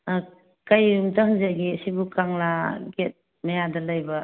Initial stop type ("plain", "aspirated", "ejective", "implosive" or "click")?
plain